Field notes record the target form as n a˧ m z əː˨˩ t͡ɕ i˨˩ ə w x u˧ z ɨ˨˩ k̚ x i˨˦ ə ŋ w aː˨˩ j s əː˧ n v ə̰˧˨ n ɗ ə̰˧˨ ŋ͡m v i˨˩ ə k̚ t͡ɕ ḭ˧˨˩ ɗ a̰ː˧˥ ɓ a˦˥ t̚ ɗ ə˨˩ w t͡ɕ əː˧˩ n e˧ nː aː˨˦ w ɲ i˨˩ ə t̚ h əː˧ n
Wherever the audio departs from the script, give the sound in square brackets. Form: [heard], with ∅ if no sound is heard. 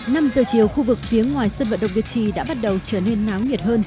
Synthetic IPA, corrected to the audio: n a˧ m z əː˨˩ t͡ɕ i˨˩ ə w x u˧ [v] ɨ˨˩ k̚ [f] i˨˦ ə ŋ w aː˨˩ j s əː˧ n v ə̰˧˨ n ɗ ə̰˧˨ ŋ͡m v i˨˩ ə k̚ t͡ɕ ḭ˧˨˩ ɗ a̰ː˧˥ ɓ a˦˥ t̚ ɗ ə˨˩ w t͡ɕ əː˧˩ n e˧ nː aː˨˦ w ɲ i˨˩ ə t̚ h əː˧ n